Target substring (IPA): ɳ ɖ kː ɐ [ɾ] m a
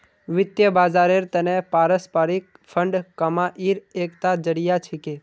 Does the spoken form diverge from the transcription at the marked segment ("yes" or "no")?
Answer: yes